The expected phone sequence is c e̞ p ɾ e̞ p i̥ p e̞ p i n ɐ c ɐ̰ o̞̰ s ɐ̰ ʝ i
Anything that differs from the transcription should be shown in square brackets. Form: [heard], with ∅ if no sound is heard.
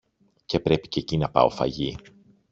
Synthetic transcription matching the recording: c e̞ p ɾ e̞ p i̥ [c] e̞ [c] i n ɐ [p] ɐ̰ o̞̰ [f] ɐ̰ ʝ i